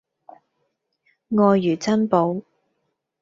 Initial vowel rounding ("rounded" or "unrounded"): rounded